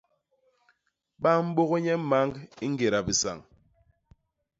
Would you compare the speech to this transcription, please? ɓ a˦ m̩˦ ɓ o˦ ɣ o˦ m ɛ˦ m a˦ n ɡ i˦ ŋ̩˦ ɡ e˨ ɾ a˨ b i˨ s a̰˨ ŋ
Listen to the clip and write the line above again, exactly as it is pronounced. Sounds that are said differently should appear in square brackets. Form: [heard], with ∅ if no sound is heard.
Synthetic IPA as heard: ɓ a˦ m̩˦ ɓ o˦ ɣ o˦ [ɲ] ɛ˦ m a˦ [ŋ] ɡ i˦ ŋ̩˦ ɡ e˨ ɾ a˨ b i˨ s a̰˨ ŋ